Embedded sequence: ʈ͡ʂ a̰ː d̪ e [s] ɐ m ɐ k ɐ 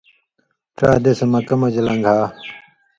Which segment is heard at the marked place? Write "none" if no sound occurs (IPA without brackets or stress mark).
s